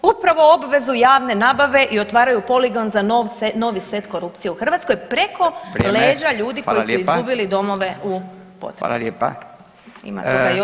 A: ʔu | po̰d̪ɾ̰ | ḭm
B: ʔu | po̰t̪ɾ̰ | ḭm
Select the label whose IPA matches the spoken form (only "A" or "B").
B